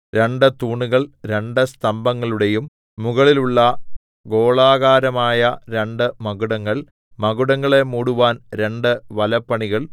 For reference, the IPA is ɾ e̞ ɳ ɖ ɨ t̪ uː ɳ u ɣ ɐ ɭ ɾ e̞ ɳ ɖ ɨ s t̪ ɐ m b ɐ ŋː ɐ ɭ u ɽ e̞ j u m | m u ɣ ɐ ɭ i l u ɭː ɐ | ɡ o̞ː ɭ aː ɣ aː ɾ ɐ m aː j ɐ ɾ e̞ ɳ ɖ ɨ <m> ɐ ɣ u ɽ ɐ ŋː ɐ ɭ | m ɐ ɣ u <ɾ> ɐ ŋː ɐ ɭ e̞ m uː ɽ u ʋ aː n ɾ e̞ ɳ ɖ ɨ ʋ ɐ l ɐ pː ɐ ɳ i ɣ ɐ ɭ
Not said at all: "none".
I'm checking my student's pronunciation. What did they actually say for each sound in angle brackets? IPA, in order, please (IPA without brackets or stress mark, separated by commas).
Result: m, ɽ